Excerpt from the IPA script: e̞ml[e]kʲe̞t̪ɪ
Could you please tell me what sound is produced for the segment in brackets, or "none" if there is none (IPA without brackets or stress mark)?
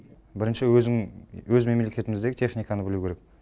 e